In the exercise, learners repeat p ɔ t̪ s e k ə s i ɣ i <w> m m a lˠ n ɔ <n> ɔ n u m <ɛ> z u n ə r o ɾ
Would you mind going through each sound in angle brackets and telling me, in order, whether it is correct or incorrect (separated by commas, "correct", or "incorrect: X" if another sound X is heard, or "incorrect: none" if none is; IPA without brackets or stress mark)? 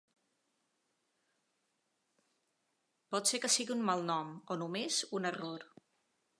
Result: incorrect: u, incorrect: m, incorrect: e